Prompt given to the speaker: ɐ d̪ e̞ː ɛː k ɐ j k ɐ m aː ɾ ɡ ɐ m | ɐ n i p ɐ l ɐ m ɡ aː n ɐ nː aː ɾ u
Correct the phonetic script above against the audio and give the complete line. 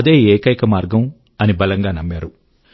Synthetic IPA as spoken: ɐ d̪ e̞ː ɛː k ɐ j k ɐ m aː ɾ ɡ ɐ m | ɐ n i b ɐ l ɐ ŋ ɡ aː n ɐ mː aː ɾ u